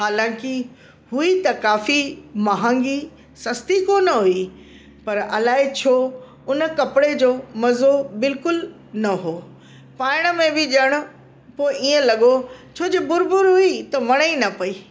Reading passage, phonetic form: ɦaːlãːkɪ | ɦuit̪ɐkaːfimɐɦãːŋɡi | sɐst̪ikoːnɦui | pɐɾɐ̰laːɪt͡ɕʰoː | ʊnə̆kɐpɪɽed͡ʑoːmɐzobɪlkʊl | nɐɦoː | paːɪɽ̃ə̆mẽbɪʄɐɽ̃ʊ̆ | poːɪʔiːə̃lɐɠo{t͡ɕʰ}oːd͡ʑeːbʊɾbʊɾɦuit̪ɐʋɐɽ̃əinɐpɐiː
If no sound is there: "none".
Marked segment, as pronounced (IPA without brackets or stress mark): t͡ɕʰ